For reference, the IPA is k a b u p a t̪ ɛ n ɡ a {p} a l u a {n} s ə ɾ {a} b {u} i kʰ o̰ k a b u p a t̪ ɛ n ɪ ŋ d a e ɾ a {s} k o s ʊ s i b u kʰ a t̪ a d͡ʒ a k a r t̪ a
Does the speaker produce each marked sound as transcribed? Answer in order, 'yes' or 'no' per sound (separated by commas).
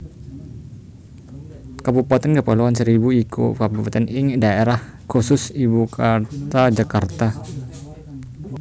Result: yes, yes, no, yes, no